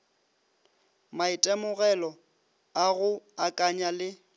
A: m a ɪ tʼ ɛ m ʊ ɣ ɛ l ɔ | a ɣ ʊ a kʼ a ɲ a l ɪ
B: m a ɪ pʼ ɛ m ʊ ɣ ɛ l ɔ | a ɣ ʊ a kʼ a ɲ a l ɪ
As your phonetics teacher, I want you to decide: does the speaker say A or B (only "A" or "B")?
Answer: A